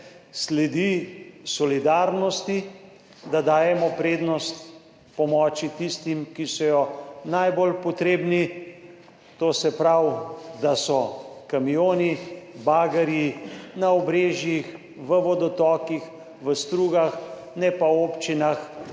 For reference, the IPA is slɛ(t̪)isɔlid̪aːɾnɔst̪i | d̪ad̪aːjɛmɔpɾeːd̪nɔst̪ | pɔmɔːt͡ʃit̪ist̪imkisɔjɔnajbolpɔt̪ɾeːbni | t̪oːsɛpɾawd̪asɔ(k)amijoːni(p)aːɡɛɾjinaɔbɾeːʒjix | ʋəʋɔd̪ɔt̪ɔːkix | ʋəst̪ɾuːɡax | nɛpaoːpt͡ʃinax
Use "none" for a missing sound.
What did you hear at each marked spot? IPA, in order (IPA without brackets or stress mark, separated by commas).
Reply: d̪, k, b